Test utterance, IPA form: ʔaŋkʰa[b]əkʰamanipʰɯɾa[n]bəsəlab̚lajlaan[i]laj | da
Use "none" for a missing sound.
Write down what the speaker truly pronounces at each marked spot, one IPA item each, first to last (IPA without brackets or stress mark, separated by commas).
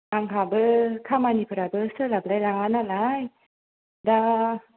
b, none, a